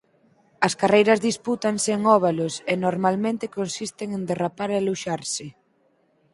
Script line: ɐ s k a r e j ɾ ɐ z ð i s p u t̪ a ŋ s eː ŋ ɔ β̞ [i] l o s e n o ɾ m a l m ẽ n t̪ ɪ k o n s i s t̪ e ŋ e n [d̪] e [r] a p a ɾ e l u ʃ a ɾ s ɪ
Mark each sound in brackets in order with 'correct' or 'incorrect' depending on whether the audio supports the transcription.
incorrect, correct, correct

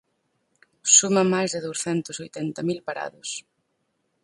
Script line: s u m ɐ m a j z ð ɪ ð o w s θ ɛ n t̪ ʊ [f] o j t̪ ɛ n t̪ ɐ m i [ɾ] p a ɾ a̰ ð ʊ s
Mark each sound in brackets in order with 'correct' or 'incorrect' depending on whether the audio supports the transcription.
incorrect, incorrect

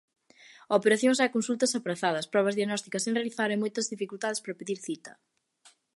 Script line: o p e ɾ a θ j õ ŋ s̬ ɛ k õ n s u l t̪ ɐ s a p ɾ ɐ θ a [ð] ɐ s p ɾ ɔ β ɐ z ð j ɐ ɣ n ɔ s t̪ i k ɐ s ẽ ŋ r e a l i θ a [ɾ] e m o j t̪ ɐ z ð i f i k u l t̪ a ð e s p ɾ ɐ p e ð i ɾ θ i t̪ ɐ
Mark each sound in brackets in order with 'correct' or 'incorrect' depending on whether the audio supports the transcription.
correct, correct

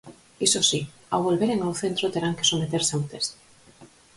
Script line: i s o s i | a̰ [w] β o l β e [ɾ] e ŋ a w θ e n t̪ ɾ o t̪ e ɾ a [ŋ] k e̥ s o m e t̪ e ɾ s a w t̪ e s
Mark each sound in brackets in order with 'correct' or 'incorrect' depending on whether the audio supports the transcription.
correct, correct, correct

